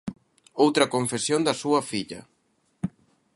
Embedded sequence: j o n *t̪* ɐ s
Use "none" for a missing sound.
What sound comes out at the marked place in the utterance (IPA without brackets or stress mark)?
d̪